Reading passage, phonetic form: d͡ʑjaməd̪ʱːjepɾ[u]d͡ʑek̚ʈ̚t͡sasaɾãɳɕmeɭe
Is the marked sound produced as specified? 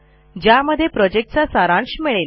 no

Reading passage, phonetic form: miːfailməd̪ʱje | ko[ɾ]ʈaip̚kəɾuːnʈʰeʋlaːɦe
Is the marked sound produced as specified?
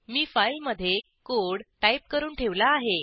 no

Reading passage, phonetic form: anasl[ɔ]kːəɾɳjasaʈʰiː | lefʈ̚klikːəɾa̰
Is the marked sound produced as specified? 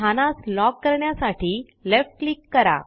yes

